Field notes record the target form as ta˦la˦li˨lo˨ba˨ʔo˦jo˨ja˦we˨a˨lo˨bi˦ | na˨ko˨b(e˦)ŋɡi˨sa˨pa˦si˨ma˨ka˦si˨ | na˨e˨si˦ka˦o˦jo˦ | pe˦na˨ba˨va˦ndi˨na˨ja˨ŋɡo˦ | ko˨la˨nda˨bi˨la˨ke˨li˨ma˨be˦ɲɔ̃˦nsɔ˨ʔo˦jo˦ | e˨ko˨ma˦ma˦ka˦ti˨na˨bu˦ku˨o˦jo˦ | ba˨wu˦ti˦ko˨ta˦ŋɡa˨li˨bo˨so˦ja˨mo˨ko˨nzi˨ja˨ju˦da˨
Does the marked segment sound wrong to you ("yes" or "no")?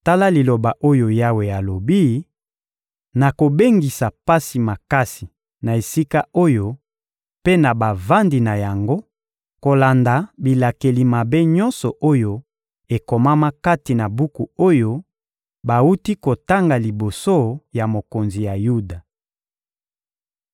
no